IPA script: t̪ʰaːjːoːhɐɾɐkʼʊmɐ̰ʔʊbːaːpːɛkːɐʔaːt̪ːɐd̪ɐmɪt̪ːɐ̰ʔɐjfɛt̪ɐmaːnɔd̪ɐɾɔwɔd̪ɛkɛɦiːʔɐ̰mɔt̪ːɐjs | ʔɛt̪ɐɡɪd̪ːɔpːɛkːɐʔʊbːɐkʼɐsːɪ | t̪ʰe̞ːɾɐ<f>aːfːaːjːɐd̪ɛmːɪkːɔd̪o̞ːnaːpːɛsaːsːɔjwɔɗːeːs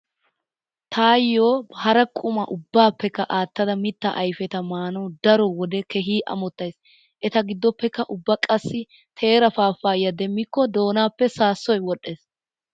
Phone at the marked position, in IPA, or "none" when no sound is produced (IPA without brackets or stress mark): f